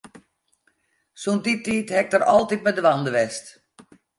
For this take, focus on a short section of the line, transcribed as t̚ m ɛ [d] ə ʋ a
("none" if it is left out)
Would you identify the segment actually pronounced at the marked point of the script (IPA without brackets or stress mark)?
d